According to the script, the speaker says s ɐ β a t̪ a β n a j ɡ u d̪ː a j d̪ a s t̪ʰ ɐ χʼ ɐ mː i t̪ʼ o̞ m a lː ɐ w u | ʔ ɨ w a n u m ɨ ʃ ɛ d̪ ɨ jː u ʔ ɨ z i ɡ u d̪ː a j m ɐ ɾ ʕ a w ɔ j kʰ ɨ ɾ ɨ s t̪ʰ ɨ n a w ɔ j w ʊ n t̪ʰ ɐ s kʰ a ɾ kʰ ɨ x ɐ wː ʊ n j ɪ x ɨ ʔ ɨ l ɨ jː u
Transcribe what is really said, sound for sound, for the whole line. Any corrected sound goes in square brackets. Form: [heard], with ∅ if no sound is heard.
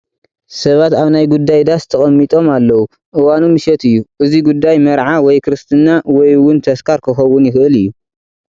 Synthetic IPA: s ɐ β a t̪ a β n a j ɡ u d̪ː a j d̪ a s t̪ʰ ɐ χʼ ɐ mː i t̪ʼ o̞ m a lː ɐ w u | ʔ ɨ w a n u m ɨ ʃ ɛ [t̪] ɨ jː u ʔ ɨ z i ɡ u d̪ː a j m ɐ ɾ ʕ a w ɔ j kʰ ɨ ɾ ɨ s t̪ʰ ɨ n a w ɔ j w ʊ n t̪ʰ ɐ s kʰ a ɾ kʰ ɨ x ɐ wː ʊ n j ɪ x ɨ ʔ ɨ l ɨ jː u